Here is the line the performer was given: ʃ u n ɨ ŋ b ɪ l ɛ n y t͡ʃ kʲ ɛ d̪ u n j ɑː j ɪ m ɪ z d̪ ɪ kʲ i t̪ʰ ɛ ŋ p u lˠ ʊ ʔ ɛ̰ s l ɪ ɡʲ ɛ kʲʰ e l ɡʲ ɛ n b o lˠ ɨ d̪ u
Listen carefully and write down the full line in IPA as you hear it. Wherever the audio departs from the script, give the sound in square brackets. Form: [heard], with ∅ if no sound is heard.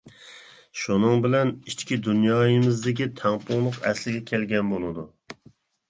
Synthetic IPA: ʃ u n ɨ ŋ b ɪ l ɛ n [i] t͡ʃ kʲ [i] d̪ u n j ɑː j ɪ m ɪ z d̪ ɪ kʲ i t̪ʰ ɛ ŋ p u lˠ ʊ [q] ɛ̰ s l ɪ ɡʲ ɛ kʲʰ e l ɡʲ ɛ n b o lˠ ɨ d̪ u